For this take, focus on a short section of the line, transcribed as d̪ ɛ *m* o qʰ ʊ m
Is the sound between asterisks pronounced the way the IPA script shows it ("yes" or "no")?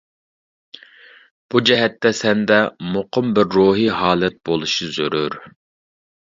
yes